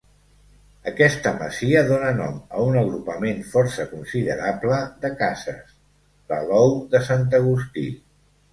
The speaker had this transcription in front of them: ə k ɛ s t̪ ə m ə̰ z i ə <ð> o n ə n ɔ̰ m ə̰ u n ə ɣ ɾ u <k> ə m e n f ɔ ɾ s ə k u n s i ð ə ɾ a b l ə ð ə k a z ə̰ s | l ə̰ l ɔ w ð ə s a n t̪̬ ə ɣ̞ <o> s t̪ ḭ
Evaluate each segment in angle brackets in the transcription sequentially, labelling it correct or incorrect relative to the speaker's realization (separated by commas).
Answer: correct, incorrect, incorrect